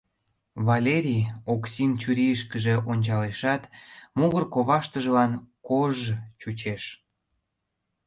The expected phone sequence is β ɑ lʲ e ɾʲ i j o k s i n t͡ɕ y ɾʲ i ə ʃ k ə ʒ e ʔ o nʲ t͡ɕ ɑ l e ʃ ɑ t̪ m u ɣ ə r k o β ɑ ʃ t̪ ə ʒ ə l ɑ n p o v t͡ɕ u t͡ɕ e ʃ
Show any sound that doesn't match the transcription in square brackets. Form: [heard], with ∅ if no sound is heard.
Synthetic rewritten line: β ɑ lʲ e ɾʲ i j o k s i n t͡ɕ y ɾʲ i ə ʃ k ə ʒ e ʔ o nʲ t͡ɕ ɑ l e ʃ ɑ t̪ m u ɣ ə r k o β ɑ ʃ t̪ ə ʒ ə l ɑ n [k] o [ʒ] t͡ɕ u t͡ɕ e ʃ

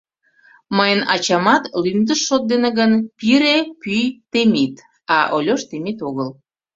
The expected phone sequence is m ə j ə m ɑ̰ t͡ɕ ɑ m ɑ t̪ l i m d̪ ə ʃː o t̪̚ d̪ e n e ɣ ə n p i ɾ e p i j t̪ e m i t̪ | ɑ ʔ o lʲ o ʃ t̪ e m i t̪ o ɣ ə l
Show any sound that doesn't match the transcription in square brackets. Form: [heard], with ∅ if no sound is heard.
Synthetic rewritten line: m ə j ə [n] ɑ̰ t͡ɕ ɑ m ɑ t̪ l [y] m d̪ ə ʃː o t̪̚ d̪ e n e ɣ ə n p i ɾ e p [y] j t̪ e m i t̪ | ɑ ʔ o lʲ o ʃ t̪ e m i t̪ o ɣ ə l

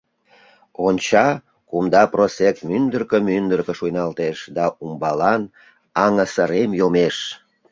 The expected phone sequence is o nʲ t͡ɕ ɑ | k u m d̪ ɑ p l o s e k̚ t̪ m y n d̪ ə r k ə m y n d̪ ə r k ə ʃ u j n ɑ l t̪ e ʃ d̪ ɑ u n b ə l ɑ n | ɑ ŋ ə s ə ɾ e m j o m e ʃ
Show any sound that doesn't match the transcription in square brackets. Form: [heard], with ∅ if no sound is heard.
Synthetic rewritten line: o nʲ t͡ɕ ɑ | k u m d̪ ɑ p [r] o s e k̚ t̪ m y n d̪ ə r k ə m y n d̪ ə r k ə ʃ u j n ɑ l t̪ e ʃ d̪ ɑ u [m] b [ɑ] l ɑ n | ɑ ŋ ə s ə ɾ e m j o m e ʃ

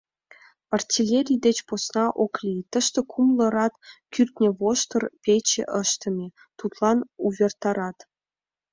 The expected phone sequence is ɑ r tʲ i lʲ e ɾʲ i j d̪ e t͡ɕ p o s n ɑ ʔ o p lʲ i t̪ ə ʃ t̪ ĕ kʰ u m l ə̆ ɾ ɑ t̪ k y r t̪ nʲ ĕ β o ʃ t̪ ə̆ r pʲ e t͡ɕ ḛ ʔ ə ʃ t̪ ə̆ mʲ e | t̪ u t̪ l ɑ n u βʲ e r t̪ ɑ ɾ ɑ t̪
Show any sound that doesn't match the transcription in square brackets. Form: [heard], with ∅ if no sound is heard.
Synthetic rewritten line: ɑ r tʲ i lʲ e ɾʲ i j d̪ e t͡ɕ p o s n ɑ ʔ o [k] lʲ i t̪ ə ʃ t̪ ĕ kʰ u m l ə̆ ɾ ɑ t̪ k y r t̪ nʲ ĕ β o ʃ t̪ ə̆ r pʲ e t͡ɕ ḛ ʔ ə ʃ t̪ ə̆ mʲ e | t̪ u t̪ l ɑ n u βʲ e r t̪ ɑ ɾ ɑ t̪

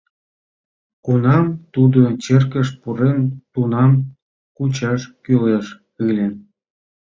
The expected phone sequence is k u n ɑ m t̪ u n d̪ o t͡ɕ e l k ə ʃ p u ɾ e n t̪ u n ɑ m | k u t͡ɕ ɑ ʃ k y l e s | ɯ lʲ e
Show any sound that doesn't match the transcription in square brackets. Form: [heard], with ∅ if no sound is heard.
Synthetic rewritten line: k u n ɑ m t̪ u [∅] d̪ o t͡ɕ e [r] k ə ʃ p u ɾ e n t̪ u n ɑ m | k u t͡ɕ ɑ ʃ k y l e [ʃ] | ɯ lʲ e

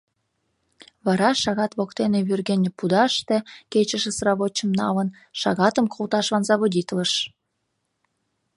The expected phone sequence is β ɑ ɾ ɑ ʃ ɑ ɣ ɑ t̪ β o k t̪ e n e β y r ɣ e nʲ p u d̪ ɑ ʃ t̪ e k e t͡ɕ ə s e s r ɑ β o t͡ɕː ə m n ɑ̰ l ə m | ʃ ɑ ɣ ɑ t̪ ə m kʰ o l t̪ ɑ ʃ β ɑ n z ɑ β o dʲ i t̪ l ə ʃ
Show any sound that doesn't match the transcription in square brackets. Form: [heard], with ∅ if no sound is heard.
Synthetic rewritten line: β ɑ ɾ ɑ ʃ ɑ ɣ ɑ t̪ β o k t̪ e n e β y r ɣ e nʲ p u d̪ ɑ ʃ t̪ e k e t͡ɕ ə [ʃ] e s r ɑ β o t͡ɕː ə m n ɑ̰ l ə [n] | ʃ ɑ ɣ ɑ t̪ ə m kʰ o l t̪ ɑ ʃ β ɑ n z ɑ β o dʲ i t̪ l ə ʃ

